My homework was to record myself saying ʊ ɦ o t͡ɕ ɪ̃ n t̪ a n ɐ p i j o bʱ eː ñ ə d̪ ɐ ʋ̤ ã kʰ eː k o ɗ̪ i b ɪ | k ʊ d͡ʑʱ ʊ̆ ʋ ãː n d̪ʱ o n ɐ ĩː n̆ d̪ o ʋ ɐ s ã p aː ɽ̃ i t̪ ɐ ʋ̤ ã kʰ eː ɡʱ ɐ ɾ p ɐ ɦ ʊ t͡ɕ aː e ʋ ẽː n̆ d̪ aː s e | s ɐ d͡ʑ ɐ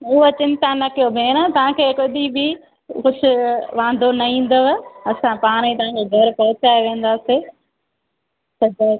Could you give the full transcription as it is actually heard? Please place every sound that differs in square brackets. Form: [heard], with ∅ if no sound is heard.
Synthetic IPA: ʊ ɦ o t͡ɕ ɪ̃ n t̪ a n ɐ [k] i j o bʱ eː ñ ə [t̪] ɐ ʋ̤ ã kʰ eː k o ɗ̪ i b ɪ | k ʊ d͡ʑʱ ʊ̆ ʋ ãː n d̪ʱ o n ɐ ĩː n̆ d̪ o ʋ ɐ s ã p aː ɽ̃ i t̪ ɐ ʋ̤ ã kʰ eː ɡʱ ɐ ɾ p ɐ ɦ ʊ t͡ɕ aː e ʋ ẽː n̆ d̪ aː s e | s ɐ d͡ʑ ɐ